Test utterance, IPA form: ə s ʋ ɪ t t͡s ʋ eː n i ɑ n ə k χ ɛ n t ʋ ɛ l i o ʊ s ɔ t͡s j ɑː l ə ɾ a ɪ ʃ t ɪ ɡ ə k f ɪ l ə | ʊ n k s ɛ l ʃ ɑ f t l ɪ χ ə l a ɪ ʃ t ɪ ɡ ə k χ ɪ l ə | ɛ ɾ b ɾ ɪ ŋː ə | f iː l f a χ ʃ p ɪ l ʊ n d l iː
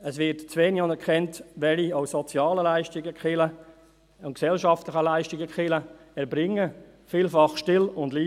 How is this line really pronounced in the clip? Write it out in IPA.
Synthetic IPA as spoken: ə s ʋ ɪ t t͡s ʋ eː n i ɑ n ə k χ ɛ n t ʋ ɛ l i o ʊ s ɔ t͡s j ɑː l ə l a ɪ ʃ t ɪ ɡ ə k χ ɪ l ə | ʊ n k s ɛ l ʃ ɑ f t l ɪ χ ə l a ɪ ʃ t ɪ ɡ ə k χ ɪ l ə | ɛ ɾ b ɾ ɪ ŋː ə | f iː l f ɑ χ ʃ t ɪ l ʊ n d l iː